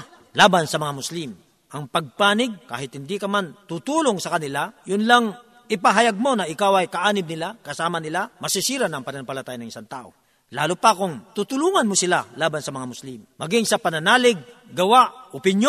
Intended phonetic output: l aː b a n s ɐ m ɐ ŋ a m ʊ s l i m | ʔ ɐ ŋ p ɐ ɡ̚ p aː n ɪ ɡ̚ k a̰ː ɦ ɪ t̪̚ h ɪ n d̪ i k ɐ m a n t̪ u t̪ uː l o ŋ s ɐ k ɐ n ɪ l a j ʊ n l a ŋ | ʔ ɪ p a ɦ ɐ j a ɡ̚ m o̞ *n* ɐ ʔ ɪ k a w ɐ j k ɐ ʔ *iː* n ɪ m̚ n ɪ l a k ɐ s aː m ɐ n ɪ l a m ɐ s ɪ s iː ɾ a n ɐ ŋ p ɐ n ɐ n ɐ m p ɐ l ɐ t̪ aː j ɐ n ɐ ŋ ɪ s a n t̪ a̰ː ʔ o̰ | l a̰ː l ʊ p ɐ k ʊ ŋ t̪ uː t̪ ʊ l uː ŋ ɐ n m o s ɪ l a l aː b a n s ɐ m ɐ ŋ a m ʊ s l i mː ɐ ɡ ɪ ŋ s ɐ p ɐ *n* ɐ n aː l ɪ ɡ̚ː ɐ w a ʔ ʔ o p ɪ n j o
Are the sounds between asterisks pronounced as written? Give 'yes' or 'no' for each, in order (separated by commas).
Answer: yes, no, yes